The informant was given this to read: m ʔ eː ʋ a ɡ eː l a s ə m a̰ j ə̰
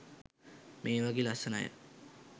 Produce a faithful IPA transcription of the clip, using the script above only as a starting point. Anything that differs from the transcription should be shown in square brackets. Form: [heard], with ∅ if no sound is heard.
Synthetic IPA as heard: m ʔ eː ʋ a ɡ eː l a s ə [n] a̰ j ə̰